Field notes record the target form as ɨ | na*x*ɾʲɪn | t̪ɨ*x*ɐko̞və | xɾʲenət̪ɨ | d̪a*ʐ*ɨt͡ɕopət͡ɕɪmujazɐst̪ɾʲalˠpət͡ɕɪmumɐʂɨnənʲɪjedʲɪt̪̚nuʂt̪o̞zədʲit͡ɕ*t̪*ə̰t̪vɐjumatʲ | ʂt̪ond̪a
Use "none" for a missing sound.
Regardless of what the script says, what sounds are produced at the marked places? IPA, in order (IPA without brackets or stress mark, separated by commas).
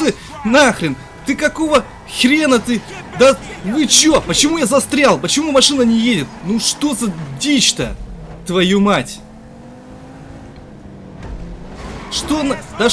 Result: x, k, v, t̪